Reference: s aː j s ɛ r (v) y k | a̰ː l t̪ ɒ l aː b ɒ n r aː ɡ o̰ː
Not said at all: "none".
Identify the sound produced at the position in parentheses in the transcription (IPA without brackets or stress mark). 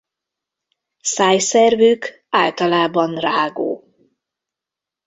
v